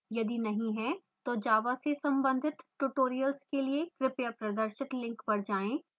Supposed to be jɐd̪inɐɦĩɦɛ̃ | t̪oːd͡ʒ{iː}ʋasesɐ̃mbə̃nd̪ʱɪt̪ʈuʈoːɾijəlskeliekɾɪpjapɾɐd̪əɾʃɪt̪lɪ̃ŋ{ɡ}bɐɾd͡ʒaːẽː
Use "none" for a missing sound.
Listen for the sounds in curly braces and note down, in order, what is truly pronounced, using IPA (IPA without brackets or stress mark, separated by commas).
aː, k